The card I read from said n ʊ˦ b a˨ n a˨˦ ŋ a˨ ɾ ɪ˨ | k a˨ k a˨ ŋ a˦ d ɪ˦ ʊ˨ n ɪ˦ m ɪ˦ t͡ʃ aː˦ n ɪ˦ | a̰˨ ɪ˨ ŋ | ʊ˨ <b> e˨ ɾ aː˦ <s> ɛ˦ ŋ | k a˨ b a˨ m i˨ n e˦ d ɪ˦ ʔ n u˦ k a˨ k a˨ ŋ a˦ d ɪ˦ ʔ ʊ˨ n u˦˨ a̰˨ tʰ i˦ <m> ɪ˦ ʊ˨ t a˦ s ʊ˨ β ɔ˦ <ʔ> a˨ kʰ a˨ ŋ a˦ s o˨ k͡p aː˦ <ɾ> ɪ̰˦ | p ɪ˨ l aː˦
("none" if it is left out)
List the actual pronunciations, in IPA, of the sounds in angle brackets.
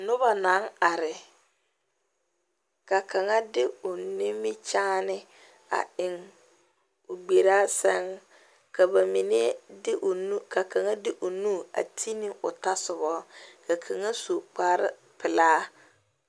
ɡ͡b, s, n, k, ɾ

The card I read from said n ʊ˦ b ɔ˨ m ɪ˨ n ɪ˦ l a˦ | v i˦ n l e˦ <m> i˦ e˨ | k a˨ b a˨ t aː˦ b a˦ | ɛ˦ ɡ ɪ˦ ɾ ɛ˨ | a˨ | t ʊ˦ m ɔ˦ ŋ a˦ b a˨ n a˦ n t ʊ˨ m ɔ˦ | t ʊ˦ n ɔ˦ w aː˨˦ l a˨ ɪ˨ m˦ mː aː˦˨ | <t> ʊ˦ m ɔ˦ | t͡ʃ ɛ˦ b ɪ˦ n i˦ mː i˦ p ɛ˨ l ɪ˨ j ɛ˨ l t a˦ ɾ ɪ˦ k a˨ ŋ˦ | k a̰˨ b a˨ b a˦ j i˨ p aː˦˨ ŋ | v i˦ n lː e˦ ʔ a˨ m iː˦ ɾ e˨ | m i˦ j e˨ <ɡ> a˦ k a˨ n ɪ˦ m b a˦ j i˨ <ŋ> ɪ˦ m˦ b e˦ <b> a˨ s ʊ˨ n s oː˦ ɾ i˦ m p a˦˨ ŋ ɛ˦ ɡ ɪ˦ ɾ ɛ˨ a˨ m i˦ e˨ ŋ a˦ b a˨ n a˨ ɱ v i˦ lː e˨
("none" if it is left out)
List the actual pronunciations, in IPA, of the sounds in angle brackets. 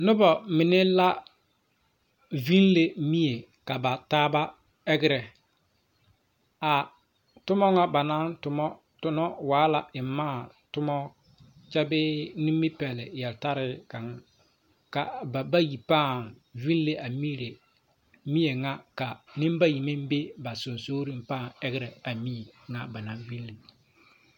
m, t, ŋ, m, b

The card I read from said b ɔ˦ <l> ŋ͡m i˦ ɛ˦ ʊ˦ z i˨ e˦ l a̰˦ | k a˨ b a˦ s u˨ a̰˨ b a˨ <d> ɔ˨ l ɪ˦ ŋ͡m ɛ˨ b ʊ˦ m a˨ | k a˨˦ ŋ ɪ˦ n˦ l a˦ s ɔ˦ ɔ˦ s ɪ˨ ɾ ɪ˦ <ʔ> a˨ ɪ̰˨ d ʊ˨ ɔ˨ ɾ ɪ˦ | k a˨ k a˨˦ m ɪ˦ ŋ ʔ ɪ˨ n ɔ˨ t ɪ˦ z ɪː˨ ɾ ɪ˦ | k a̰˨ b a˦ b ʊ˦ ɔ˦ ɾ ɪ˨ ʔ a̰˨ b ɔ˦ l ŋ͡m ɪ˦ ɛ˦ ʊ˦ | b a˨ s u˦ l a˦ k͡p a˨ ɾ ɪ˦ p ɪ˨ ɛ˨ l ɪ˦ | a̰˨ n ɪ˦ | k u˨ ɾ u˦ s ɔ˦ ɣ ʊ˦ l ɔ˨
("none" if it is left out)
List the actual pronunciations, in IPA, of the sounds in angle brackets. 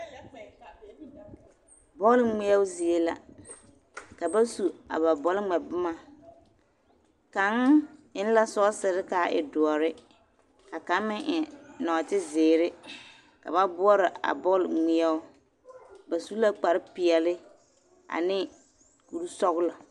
l, b, k

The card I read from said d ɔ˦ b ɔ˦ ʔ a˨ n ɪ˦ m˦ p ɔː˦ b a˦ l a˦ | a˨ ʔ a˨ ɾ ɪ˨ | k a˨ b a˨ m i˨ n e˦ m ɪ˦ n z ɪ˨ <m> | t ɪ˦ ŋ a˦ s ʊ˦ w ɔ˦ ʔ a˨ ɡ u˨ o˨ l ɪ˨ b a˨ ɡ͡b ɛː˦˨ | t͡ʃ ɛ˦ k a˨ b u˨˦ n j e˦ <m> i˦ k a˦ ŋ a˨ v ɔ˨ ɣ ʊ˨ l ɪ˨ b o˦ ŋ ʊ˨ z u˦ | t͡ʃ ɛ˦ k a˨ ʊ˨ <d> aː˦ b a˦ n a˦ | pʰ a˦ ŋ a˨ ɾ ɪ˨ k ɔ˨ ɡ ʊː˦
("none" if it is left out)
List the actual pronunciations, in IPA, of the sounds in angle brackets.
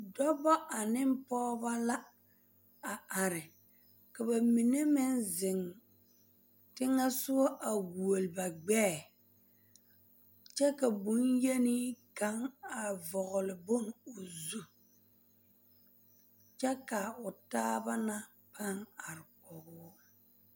ŋ, n, t

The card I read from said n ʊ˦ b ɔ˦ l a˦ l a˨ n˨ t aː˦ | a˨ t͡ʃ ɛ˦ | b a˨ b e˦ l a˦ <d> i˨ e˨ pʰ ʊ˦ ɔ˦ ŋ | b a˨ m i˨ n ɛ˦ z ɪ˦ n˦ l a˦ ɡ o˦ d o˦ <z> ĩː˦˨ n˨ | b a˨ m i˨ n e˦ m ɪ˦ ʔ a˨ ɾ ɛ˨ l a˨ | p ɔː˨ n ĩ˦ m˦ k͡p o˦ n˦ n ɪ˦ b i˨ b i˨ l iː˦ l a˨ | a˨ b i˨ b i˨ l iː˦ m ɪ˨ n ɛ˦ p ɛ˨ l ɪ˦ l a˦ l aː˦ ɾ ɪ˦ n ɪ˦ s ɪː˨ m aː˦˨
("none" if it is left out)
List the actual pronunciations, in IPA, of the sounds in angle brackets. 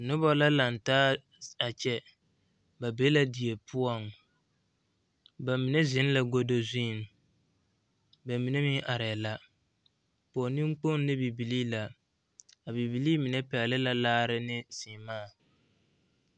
d, z

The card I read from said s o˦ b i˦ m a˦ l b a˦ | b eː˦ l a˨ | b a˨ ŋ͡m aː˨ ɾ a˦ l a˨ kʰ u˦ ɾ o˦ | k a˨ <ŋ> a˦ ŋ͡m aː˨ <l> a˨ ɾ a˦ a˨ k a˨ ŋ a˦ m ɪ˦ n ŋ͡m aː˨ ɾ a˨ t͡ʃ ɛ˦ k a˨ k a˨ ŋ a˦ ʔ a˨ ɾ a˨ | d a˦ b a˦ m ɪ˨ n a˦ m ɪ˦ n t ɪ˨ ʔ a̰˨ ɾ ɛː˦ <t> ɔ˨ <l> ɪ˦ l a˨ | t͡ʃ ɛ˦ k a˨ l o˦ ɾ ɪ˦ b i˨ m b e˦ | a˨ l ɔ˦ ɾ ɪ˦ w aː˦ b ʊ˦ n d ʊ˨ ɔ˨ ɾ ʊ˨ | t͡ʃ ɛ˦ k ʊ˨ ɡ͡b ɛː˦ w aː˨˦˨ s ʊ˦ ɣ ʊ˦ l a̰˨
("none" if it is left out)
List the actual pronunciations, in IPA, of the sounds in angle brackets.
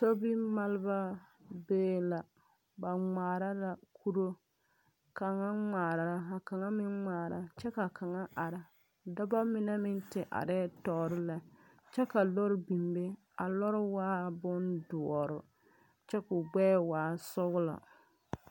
ŋ, ɾ, t, ɾ

